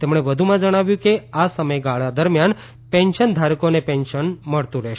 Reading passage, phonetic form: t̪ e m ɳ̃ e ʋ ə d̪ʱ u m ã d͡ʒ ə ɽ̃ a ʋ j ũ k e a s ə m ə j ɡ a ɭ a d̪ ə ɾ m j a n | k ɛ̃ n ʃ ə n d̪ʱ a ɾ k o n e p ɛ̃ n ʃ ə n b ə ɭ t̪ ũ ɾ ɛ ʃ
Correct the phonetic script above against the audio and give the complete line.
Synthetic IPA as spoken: t̪ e m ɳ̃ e ʋ ə d̪ʱ u m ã d͡ʒ ə ɽ̃ a ʋ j ũ k e a s ə m ə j ɡ a ɭ a d̪ ə ɾ m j a n | p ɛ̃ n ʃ ə n d̪ʱ a ɾ k o n e p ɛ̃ n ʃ ə n m ə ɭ t̪ ũ ɾ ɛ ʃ